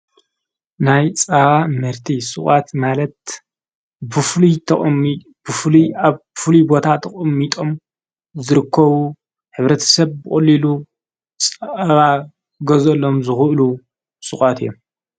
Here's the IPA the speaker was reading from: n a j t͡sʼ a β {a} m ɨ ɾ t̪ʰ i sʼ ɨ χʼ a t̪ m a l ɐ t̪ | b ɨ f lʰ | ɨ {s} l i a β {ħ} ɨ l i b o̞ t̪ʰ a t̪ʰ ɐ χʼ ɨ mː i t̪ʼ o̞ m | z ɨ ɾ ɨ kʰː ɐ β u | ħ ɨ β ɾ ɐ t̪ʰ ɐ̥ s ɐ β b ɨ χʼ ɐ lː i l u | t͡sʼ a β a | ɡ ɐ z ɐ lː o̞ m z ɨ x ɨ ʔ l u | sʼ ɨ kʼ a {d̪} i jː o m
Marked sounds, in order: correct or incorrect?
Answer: correct, incorrect, incorrect, incorrect

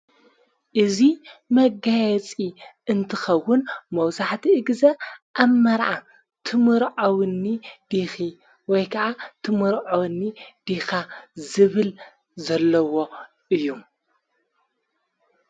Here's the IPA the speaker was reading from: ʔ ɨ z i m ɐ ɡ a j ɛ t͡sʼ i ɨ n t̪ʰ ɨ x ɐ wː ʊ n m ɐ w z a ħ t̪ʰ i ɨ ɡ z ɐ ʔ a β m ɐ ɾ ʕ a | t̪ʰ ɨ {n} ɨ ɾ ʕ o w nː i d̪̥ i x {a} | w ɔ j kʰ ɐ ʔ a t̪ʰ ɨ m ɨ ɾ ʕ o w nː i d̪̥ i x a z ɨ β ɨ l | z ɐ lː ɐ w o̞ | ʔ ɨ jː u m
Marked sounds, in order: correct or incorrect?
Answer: incorrect, incorrect

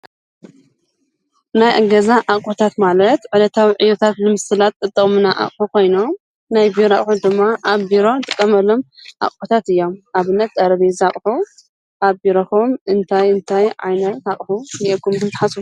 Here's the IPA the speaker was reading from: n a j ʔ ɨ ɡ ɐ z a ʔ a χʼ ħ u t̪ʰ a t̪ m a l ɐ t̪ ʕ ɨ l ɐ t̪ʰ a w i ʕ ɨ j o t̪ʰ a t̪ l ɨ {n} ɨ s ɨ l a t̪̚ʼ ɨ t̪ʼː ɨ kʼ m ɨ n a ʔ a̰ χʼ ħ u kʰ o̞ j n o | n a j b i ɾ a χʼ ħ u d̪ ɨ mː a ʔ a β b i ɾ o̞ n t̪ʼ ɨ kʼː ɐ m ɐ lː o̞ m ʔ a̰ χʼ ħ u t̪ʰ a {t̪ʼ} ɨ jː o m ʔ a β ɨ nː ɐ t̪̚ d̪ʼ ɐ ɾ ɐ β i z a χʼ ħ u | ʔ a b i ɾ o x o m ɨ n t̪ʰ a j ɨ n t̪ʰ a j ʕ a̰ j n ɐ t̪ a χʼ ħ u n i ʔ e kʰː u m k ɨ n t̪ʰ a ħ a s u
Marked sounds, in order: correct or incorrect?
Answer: incorrect, incorrect

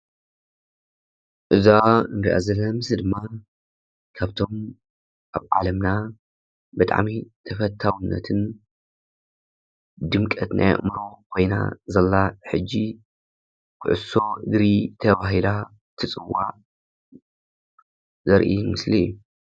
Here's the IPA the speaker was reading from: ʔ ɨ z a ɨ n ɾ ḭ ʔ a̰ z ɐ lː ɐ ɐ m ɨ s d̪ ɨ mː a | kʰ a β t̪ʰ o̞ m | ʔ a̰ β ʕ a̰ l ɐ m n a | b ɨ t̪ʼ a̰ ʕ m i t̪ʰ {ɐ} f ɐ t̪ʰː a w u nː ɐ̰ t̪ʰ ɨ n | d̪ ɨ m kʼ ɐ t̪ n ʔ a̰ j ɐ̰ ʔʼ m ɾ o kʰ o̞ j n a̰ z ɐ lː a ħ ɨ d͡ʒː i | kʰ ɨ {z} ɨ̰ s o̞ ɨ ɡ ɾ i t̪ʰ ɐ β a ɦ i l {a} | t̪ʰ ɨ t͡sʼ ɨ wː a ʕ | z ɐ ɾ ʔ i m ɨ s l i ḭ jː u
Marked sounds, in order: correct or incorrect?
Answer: correct, incorrect, correct

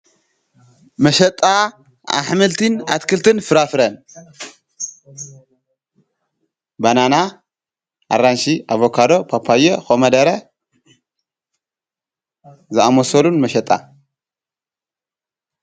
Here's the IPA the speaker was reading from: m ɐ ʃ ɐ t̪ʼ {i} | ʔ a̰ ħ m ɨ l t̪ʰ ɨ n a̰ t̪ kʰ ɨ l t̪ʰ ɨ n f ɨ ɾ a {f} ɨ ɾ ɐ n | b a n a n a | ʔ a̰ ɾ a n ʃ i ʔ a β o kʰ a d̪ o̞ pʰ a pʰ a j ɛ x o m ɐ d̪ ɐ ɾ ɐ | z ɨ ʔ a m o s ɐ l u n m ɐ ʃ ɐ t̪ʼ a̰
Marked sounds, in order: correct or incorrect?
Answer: incorrect, correct

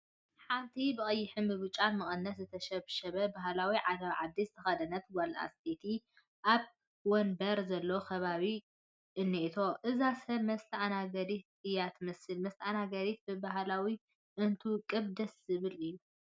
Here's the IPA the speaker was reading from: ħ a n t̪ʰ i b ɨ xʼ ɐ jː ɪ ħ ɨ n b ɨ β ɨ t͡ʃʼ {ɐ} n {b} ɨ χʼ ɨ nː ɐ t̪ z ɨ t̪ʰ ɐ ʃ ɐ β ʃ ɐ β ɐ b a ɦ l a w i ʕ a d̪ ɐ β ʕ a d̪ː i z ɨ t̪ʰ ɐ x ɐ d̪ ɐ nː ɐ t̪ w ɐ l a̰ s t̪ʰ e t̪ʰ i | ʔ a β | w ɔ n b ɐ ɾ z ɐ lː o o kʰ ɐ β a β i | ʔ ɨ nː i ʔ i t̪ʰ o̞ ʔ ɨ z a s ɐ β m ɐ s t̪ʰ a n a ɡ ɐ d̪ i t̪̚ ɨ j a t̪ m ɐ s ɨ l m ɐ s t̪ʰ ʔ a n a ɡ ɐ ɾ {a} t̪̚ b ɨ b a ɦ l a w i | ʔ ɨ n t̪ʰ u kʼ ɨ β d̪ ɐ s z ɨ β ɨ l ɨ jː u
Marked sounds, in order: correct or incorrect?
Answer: incorrect, incorrect, incorrect

